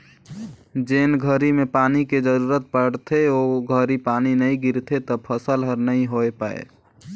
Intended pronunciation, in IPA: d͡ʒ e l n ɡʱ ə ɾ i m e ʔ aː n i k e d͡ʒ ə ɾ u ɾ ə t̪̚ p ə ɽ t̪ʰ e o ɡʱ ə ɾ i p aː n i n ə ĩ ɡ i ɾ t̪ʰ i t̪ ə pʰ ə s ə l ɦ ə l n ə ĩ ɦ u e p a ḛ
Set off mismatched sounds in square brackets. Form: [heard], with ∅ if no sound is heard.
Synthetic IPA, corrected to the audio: d͡ʒ e [∅] n ɡʱ ə ɾ i m e [p] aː n i k e d͡ʒ ə ɾ u ɾ ə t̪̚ p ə ɽ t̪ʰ e o ɡʱ ə ɾ i p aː n i n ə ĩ ɡ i ɾ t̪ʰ [e] t̪ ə pʰ ə s ə l ɦ ə [ɾ] n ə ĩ ɦ [o] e p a ḛ